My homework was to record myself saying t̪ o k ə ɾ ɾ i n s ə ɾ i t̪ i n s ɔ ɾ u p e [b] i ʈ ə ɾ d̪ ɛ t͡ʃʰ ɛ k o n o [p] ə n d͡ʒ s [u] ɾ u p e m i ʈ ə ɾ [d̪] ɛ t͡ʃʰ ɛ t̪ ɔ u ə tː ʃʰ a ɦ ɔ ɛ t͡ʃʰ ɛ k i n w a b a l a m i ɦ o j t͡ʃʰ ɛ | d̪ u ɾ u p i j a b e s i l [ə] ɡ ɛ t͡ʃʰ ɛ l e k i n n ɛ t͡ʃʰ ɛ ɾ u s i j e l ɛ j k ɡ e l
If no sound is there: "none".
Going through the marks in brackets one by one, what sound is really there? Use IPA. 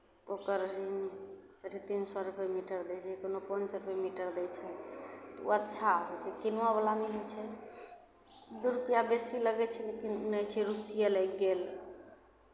m, p, ɔ, d̪, ə

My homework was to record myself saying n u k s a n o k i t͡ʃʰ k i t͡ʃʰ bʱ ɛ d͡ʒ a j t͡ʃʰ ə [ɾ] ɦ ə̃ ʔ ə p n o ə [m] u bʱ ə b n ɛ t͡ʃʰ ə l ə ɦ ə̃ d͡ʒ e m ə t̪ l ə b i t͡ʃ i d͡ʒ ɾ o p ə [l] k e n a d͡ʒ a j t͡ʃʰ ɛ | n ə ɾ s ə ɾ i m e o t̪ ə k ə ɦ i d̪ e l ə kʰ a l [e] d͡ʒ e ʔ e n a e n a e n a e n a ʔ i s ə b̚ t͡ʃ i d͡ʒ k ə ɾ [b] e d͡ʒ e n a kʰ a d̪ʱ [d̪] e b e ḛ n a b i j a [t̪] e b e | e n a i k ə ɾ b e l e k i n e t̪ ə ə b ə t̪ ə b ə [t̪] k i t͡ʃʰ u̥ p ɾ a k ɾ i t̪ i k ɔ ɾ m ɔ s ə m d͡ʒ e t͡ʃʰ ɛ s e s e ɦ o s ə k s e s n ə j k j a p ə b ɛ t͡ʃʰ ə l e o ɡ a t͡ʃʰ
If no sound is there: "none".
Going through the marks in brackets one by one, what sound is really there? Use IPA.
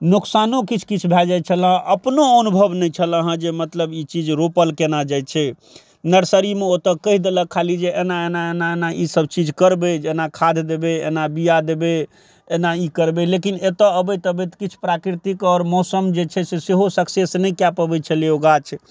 l, n, l, i, b, d̪, d̪, t̪

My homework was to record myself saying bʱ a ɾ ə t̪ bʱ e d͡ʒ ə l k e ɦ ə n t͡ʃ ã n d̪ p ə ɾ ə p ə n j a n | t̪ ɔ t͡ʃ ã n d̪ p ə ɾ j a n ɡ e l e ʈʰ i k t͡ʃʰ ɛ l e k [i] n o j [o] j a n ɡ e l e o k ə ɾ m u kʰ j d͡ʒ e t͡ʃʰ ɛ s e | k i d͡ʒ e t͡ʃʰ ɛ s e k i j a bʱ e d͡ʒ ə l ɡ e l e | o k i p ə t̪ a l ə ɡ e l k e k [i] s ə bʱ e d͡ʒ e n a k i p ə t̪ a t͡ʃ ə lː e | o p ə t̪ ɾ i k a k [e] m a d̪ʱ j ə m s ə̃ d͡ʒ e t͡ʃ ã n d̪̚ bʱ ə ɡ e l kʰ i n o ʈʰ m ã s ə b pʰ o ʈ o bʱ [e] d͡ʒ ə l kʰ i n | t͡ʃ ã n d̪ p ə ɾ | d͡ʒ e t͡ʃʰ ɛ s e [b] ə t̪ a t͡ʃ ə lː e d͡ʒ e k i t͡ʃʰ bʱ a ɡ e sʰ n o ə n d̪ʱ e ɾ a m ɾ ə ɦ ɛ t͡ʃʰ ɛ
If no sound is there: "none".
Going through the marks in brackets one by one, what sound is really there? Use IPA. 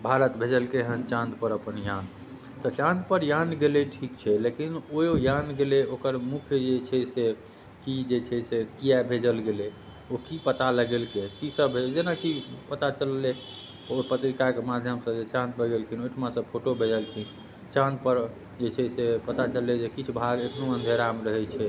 i, o, i, e, e, p

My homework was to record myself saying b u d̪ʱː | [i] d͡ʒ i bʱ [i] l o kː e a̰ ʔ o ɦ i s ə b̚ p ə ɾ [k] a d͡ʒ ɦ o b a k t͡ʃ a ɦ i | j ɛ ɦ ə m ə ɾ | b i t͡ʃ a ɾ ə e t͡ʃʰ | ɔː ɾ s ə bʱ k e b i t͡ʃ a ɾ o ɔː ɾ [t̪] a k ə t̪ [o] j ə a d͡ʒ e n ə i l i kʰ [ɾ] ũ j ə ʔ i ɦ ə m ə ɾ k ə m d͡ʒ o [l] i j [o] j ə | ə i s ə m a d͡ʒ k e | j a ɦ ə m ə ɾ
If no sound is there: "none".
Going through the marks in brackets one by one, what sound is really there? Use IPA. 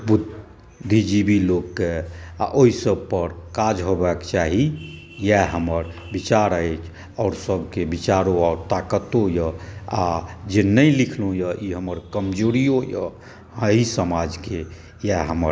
i, i, k, t̪, o, l, ɾ, o

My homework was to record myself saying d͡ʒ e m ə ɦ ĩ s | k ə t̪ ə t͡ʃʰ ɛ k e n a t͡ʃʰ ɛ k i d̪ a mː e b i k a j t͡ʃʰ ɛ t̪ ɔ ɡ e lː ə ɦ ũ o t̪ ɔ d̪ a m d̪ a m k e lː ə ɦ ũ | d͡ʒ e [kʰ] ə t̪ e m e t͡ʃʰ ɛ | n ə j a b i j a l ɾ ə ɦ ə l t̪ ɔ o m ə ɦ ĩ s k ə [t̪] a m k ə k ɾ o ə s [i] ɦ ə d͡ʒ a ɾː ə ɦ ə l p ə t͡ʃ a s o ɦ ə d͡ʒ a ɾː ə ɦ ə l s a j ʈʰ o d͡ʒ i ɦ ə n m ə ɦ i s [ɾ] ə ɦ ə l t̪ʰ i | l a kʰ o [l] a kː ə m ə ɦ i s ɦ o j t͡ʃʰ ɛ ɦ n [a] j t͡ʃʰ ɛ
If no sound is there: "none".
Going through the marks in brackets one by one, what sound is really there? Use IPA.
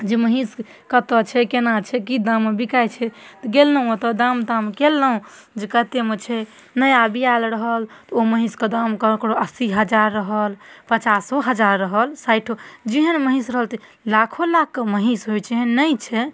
k, d̪, i, ɾ, l, ə

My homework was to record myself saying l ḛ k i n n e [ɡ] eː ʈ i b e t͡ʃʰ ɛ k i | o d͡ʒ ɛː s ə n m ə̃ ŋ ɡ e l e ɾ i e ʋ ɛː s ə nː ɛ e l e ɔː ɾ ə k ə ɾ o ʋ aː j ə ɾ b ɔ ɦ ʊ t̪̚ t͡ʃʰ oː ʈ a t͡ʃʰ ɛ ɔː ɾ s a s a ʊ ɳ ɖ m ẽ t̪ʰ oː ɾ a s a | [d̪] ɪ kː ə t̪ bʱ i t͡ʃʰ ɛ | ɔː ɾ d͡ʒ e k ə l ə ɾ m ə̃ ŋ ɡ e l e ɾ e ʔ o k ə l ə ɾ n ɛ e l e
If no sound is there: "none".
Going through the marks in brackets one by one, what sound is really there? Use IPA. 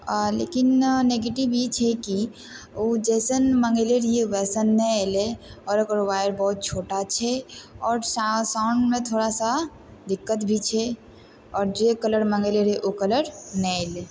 ɡ, d̪

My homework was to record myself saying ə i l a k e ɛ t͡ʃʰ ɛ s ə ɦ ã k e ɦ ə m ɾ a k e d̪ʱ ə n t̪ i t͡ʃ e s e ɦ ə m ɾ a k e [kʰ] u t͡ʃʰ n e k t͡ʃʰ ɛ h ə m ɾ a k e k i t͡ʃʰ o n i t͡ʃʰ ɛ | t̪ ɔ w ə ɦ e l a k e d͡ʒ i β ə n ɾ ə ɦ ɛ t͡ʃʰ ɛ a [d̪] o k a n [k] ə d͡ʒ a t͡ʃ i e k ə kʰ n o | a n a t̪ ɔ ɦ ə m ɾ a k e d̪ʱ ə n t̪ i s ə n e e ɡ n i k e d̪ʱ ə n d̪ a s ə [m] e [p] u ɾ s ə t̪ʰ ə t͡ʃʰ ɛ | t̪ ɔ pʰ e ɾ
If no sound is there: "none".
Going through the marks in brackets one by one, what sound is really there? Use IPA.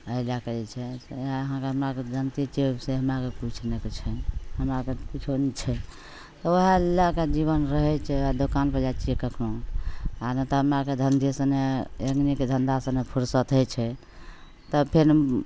k, d̪, p, n, pʰ

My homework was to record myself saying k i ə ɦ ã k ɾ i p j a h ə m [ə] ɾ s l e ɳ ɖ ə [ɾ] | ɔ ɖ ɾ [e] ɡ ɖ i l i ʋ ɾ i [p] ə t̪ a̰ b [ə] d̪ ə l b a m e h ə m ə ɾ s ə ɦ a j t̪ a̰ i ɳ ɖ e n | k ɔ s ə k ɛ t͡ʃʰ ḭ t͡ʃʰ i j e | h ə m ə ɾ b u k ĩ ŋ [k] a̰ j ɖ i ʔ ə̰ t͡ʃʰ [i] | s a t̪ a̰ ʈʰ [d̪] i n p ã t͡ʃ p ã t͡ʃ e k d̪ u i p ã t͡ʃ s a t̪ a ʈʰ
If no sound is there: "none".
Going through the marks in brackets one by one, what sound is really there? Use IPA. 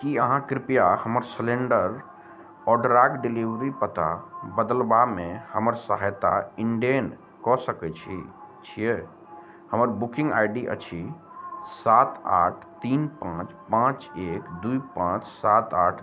ə, ɾ, a, p, ə, ɡ, i, t̪

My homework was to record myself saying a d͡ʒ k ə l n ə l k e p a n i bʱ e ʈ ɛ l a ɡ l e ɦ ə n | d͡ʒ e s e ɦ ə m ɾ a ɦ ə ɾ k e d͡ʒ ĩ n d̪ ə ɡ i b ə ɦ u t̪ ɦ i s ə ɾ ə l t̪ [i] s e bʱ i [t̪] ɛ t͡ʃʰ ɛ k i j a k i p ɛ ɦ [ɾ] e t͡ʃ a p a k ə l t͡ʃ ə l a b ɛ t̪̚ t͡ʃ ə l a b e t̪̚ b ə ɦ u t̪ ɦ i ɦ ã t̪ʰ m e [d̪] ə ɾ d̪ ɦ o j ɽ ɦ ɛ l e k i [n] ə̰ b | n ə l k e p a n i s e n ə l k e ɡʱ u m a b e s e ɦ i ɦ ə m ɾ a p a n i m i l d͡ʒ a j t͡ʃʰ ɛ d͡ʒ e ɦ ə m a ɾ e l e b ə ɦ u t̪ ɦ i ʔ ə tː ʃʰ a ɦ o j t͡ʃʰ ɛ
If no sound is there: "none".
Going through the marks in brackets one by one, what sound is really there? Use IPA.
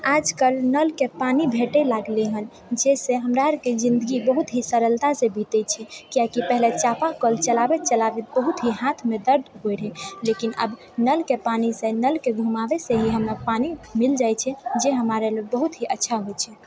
a, t̪, l, d̪, n

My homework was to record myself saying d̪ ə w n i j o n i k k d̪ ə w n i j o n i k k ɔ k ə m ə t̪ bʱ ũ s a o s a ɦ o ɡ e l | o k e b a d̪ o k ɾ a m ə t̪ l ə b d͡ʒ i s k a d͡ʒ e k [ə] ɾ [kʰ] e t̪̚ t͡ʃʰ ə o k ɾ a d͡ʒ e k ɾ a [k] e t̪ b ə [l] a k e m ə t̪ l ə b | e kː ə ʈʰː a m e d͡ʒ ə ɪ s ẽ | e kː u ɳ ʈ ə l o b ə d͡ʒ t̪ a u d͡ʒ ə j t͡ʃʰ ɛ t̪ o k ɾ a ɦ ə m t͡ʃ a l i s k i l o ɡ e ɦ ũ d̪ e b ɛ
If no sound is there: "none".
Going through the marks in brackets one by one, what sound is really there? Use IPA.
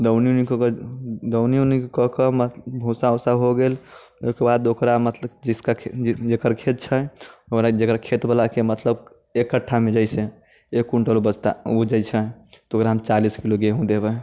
ə, kʰ, kʰ, l

